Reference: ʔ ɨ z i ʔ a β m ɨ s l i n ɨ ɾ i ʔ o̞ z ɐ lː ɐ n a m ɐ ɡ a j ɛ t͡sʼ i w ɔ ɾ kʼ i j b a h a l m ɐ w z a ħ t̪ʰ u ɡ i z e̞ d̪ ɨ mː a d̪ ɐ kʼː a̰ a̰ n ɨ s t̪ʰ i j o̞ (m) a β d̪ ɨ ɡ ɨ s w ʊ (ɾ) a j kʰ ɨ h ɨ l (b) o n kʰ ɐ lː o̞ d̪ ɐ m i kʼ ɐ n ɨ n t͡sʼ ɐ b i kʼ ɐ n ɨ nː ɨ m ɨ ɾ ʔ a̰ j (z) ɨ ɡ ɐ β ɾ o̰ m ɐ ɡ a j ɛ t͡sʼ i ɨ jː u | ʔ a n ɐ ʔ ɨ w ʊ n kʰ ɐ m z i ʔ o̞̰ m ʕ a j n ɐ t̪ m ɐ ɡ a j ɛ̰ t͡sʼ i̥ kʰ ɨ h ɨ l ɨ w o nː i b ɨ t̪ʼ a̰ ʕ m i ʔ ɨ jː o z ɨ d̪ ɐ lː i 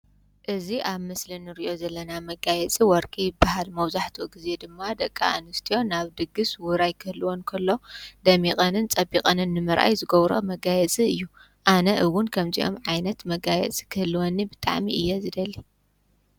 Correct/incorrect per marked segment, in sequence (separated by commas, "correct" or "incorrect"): incorrect, correct, incorrect, correct